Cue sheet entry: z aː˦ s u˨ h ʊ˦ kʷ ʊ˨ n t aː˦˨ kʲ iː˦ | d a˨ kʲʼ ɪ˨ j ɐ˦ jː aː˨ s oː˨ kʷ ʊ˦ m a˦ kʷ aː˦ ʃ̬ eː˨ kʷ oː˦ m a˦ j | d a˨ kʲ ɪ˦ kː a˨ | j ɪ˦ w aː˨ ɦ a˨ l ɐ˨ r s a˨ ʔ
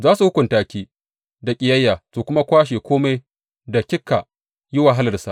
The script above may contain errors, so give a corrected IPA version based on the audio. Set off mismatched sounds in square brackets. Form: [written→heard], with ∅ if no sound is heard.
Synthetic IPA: z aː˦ s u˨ h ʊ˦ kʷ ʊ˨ n t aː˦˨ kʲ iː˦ | d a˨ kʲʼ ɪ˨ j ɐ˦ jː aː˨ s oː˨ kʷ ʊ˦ m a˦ kʷ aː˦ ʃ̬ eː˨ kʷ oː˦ m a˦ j | d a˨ kʲ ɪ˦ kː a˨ | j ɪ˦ w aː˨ ɦ [a˨→a˦] l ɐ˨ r s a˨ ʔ